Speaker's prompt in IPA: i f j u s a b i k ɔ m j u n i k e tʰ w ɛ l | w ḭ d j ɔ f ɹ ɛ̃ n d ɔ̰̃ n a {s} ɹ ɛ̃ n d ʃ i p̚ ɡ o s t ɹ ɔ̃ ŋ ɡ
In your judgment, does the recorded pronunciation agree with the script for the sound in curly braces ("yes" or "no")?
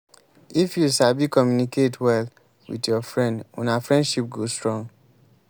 no